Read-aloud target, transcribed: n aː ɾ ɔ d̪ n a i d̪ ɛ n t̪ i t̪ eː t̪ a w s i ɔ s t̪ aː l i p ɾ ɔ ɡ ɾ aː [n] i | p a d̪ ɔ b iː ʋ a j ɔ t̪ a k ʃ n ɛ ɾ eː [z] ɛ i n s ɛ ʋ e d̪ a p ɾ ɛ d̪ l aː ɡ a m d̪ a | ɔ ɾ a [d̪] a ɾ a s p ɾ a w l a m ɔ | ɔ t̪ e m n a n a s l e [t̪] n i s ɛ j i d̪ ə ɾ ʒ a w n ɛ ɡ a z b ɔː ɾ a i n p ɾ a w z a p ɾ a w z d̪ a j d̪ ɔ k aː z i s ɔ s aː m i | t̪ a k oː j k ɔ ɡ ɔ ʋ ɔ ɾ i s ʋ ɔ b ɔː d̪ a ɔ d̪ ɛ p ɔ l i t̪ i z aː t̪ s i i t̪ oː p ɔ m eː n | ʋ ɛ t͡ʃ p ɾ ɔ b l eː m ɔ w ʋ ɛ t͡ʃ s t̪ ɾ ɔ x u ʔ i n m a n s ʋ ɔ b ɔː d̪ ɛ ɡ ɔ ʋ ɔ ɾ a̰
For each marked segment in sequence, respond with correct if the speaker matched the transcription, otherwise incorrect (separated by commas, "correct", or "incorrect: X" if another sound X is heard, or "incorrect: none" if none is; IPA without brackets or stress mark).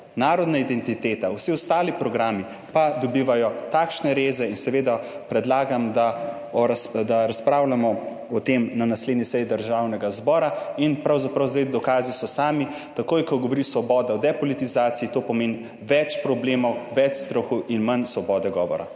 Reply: incorrect: m, correct, correct, incorrect: d̪